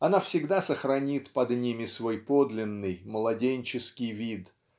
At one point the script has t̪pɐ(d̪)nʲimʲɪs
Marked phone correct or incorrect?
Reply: correct